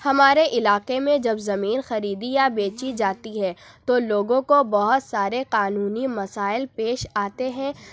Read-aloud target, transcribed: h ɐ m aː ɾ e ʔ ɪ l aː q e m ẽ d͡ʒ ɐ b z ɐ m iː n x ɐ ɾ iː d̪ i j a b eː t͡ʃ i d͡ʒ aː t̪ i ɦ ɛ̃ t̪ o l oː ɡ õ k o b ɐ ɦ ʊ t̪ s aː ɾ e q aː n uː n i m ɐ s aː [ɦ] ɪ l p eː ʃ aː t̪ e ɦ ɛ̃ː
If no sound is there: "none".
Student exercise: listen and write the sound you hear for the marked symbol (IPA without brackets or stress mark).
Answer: none